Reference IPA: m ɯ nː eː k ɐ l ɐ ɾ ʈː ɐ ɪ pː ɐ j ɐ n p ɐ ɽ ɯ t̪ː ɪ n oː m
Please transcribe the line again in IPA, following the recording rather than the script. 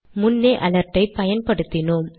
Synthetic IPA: m ʊ nː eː ʔ ɐ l ɐ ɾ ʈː ɐ ɪ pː ɐ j ɐ n p ɐ ɽ ɯ t̪ː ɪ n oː m